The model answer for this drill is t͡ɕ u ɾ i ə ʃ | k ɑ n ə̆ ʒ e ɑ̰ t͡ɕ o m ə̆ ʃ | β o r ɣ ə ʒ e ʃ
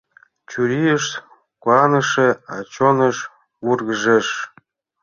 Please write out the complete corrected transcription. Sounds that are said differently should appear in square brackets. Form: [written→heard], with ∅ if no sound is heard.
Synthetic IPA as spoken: t͡ɕ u ɾ i ə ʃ | k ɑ n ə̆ [ʒ→ʃ] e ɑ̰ t͡ɕ o [m→n] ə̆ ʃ | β [o→u] r ɣ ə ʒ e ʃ